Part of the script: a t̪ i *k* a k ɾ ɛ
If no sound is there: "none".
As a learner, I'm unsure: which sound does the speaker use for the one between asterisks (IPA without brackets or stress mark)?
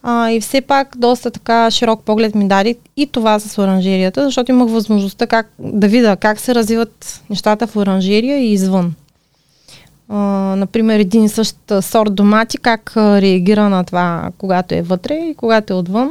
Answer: k